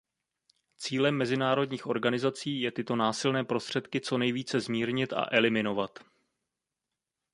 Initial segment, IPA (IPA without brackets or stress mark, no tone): t͡s